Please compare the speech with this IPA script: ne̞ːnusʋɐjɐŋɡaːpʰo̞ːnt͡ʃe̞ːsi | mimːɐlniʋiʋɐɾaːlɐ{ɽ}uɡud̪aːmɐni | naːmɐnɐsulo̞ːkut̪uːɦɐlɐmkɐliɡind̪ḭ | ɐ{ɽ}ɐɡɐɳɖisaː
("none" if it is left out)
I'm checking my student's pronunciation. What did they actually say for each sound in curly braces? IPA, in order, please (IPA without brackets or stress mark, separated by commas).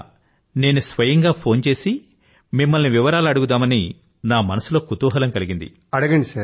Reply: ɽ, ɽ